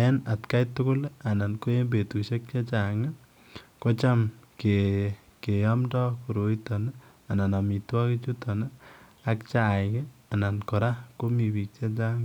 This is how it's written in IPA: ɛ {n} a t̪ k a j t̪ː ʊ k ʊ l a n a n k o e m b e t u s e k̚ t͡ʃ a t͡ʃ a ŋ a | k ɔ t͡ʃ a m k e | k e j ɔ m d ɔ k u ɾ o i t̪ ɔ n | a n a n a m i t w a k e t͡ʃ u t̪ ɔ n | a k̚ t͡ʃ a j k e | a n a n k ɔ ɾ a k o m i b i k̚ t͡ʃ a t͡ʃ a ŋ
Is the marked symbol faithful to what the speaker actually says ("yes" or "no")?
yes